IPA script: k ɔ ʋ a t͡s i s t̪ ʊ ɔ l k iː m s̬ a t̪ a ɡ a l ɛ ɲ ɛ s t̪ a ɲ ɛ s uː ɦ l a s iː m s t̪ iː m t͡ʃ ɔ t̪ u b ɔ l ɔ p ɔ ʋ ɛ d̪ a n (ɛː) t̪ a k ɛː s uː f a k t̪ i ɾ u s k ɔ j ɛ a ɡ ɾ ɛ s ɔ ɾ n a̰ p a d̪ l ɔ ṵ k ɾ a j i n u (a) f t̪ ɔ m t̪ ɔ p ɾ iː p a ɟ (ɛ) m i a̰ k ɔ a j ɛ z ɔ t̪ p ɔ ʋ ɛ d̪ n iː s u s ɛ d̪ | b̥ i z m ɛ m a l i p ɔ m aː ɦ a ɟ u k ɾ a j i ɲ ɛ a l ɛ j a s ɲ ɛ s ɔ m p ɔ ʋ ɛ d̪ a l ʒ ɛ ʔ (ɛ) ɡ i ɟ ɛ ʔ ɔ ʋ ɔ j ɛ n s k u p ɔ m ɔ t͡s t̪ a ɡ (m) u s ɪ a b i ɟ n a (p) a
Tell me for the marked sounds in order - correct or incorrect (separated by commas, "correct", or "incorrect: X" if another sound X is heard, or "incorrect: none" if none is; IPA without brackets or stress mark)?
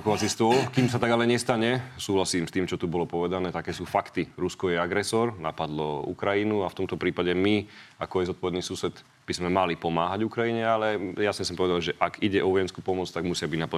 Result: correct, correct, correct, incorrect: a, correct, correct